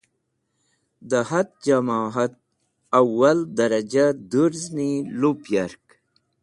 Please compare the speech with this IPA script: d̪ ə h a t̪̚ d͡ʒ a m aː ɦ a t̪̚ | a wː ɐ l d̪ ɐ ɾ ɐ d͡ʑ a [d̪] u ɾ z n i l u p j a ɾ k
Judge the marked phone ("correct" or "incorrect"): correct